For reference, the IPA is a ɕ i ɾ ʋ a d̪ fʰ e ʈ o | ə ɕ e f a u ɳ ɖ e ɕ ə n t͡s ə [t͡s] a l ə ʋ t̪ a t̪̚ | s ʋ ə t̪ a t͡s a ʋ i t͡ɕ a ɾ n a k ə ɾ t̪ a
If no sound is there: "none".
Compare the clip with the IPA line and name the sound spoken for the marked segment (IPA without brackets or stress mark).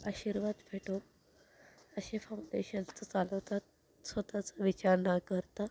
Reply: t͡s